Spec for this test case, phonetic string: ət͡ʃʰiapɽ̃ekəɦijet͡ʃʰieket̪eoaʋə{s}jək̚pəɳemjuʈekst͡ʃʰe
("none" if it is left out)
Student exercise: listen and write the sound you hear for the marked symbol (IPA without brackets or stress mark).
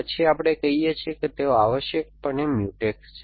ʃ